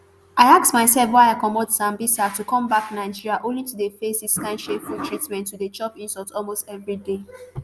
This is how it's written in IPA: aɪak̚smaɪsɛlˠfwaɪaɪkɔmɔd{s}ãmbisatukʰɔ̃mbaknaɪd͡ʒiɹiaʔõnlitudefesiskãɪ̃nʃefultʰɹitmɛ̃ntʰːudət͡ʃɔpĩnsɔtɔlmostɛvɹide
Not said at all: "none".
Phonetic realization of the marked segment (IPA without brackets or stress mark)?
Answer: s